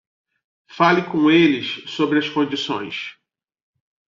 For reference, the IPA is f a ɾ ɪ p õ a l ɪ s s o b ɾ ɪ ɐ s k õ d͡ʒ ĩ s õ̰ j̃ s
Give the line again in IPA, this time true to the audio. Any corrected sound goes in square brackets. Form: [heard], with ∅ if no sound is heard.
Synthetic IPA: f a [l] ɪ [k] õ [e] l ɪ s s o b ɾ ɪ ɐ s k õ d͡ʒ [i] s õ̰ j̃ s